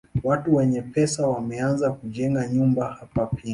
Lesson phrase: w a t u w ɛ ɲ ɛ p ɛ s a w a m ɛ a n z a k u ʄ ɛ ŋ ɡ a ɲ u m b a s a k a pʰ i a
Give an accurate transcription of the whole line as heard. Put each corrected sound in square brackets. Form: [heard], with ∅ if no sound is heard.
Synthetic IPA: w a t u w ɛ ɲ ɛ p ɛ s a w a m ɛ a n z a k u ʄ ɛ ŋ ɡ a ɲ u m b a [h] a [p] a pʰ i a